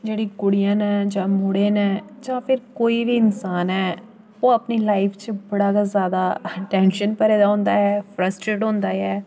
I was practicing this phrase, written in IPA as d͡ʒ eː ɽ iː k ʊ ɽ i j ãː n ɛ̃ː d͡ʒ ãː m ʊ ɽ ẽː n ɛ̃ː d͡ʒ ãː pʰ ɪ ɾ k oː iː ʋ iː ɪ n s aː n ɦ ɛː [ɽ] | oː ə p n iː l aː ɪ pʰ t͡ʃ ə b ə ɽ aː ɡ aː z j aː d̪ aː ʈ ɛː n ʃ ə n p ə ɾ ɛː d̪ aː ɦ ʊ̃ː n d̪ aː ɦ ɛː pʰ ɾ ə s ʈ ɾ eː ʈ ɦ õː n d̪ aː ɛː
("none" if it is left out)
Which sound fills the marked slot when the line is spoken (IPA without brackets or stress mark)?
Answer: none